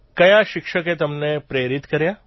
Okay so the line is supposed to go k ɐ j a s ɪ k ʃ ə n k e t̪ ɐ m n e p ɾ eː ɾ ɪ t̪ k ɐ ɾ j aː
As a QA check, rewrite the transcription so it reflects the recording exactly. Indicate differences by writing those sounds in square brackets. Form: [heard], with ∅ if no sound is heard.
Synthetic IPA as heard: k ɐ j a [ʃ] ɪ k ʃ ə [∅] k e t̪ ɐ m n e p ɾ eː ɾ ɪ t̪ k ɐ ɾ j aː